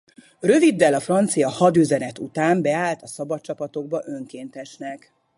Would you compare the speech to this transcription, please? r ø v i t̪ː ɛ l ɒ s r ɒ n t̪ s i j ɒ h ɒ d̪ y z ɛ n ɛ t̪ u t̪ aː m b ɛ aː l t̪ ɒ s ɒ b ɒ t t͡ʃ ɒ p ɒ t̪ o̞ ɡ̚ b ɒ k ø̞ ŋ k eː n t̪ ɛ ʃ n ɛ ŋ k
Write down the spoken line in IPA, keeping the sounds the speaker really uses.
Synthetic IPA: r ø v i d̪ː ɛ l ɒ f r ɒ n t̪ s i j ɒ h ɒ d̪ y z ɛ n ɛ t̪ u t̪ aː m b ɛ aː l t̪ ɒ s ɒ b ɒ t t͡ʃ ɒ p ɒ t̪ o̞ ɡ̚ b ɒ ʔ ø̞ ŋ k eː n t̪ ɛ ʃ n ɛ k